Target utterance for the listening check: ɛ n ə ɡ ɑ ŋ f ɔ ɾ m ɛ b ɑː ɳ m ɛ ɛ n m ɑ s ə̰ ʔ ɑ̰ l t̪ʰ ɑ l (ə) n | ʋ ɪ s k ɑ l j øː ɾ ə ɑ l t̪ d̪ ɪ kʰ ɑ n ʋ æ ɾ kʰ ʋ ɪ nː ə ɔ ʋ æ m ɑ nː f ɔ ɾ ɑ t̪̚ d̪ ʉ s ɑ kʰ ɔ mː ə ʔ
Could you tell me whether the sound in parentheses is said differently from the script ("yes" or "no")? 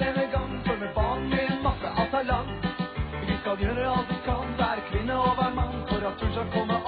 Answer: yes